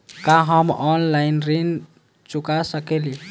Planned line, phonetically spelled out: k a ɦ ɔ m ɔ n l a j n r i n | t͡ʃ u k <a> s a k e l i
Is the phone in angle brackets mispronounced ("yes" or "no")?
no